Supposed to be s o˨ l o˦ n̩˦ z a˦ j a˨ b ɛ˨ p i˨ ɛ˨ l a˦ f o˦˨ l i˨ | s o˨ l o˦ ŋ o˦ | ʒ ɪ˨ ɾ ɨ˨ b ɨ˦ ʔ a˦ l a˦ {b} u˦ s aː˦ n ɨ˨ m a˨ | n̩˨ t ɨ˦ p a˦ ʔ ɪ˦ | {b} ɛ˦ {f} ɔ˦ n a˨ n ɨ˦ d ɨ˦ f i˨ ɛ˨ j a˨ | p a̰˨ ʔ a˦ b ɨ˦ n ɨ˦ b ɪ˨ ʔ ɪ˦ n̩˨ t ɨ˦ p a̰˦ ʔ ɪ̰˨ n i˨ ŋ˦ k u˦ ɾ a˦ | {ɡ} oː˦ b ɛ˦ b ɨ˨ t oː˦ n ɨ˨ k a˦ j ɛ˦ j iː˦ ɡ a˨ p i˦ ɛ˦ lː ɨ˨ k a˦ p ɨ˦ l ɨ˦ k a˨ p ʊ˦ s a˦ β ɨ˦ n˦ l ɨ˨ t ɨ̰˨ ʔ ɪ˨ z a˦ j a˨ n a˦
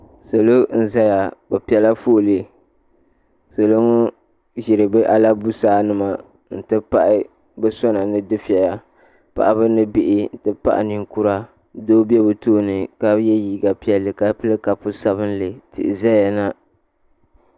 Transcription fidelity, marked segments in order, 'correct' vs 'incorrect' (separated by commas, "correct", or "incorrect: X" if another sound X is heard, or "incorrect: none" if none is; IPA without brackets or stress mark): correct, correct, incorrect: s, incorrect: d